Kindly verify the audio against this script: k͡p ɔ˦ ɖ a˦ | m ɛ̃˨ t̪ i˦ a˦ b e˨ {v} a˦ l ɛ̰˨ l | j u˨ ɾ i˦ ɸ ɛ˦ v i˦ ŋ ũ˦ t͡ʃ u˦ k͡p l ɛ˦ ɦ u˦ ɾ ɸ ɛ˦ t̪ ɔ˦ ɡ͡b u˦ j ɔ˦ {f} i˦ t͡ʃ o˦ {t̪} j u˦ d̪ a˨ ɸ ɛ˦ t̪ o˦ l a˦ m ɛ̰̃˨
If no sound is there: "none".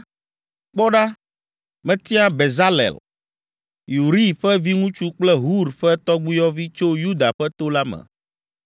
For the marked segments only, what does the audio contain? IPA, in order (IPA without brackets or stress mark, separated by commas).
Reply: z, v, none